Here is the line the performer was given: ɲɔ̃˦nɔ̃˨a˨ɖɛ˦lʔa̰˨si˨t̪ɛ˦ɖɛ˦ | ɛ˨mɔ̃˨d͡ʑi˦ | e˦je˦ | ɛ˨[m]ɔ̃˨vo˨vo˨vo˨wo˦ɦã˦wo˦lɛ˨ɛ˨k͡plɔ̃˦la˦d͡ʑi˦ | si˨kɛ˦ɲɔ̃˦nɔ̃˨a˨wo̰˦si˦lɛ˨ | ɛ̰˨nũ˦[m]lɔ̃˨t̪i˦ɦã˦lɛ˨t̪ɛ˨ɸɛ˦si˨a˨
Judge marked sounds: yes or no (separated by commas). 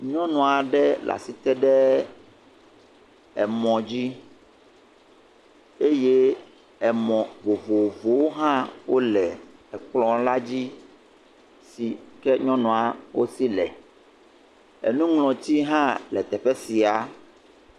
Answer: yes, no